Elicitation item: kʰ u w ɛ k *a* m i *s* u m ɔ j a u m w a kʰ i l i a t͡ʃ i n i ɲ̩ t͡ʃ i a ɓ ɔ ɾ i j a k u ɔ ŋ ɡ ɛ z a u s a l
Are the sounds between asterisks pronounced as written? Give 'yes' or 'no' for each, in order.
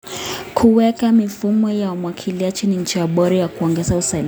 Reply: yes, no

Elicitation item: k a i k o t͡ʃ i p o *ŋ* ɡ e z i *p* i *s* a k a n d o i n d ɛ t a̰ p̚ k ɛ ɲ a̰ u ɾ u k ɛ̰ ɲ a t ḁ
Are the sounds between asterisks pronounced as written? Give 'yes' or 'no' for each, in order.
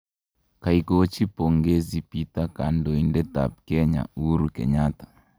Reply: yes, yes, no

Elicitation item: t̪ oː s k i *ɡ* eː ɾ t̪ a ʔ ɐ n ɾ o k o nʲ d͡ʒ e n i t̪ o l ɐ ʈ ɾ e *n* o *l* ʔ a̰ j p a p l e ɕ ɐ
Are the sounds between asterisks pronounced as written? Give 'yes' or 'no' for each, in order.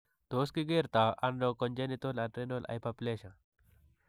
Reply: yes, yes, yes

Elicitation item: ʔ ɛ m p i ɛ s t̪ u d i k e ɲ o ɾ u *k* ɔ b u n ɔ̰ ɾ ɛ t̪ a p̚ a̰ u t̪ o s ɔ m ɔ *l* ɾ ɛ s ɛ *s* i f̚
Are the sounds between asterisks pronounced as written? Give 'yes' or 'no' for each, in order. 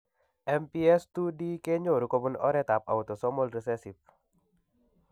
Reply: yes, yes, yes

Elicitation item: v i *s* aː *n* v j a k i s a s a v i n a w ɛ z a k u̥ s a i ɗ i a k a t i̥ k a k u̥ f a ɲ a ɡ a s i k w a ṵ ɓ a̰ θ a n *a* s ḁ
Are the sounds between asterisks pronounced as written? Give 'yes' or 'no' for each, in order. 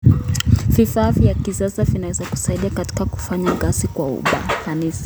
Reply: no, no, no

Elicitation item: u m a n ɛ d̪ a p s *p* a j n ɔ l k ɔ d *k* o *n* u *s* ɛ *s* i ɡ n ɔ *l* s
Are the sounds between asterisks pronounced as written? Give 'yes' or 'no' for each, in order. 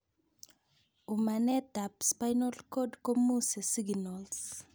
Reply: yes, yes, no, yes, yes, yes

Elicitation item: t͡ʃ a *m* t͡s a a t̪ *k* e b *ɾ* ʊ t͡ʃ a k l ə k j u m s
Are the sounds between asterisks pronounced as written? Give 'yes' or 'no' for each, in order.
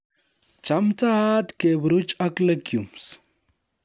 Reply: yes, yes, yes

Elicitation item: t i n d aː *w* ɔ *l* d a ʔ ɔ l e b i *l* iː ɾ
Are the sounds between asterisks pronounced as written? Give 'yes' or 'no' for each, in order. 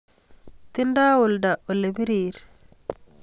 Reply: yes, yes, no

